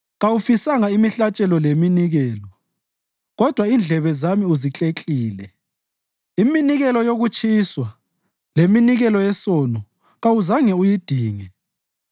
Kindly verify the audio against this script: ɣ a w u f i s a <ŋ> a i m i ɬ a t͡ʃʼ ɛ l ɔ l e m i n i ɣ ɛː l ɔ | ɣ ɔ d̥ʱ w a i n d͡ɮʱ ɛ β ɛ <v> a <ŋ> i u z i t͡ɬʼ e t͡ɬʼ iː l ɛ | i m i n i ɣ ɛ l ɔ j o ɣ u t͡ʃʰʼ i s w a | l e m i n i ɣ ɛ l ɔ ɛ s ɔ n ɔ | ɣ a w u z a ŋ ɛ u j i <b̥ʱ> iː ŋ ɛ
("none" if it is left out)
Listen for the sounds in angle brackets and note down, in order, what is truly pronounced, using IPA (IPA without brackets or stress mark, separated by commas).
ŋ, z, m, d̥ʱ